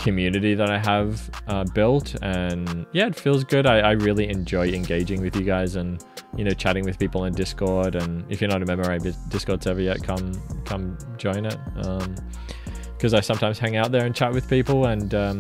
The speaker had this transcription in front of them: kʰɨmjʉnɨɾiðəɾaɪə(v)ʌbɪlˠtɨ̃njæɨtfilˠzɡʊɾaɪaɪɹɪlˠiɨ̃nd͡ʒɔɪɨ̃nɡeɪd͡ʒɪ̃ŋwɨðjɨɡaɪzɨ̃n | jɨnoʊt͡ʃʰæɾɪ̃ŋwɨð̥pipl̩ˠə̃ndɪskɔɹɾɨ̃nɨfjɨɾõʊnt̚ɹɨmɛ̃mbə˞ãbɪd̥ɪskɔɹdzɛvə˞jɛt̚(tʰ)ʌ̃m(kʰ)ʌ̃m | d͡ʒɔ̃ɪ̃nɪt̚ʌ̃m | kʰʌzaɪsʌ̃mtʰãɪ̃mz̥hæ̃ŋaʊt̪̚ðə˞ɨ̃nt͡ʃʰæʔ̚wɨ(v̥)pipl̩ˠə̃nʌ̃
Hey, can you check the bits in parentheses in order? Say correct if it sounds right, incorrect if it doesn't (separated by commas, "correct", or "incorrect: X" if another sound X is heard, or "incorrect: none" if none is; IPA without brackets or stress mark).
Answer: correct, incorrect: kʰ, correct, incorrect: ð̥